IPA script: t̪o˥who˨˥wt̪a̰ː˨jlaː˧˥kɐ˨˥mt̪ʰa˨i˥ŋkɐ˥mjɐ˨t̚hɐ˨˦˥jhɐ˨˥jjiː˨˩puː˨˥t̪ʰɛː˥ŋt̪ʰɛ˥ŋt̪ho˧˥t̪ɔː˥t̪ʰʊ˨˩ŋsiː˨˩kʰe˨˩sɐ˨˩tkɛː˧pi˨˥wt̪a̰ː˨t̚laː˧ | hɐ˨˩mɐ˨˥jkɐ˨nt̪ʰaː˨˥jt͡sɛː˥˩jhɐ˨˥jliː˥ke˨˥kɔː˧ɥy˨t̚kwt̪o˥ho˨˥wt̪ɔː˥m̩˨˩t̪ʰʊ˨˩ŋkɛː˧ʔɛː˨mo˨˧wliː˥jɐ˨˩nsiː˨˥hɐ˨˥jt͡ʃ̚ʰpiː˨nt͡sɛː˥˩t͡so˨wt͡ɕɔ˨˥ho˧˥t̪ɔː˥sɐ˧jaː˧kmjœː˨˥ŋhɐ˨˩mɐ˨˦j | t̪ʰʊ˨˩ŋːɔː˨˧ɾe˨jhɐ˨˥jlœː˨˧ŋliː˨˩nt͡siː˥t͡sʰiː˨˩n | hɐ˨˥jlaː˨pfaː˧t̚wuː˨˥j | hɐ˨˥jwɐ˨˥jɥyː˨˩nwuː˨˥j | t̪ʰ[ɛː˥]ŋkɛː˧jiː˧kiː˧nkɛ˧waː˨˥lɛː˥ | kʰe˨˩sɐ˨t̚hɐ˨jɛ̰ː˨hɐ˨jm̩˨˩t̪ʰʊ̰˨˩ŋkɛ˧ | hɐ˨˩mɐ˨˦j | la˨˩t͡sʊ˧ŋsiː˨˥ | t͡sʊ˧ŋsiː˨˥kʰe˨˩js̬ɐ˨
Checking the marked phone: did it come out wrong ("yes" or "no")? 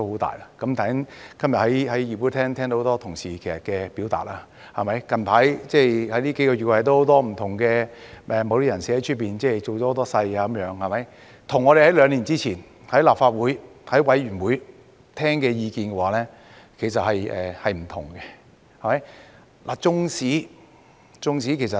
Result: no